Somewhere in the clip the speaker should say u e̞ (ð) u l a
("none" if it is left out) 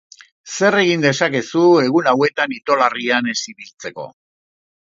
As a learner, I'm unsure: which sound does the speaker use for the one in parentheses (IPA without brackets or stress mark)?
ɣ